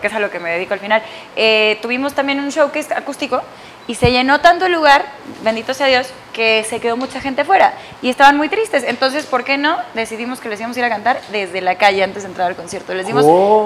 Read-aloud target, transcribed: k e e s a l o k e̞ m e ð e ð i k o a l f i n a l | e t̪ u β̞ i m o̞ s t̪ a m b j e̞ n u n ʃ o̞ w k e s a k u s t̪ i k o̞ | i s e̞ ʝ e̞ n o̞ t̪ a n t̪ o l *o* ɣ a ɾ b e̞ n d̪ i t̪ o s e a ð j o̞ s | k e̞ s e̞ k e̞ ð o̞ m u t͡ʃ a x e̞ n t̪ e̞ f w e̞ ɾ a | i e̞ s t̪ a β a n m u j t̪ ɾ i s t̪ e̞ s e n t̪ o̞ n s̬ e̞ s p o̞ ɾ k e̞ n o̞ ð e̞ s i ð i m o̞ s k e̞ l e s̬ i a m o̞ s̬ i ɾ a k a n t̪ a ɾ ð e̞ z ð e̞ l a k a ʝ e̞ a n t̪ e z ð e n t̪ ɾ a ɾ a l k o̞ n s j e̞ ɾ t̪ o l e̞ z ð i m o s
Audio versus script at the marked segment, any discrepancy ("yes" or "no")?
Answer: yes